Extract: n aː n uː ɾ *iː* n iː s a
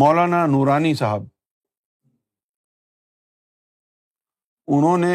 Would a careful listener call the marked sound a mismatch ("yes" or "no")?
yes